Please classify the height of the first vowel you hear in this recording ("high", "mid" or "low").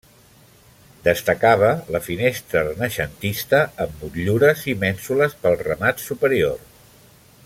mid